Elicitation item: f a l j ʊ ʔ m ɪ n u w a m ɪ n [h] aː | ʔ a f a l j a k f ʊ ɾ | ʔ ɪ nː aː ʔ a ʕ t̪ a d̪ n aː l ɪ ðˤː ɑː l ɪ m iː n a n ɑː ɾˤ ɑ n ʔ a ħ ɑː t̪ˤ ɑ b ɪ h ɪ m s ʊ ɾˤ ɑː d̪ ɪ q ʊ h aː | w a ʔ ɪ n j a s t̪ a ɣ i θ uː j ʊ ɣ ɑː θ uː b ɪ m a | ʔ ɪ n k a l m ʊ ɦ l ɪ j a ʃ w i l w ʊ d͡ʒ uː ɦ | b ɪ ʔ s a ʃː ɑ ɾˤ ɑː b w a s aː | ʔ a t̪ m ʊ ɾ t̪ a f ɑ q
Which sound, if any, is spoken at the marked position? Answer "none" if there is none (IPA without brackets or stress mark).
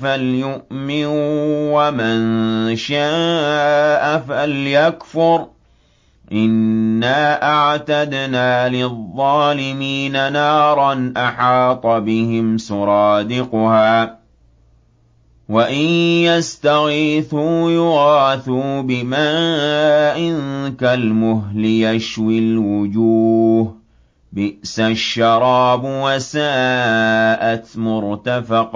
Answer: ʃ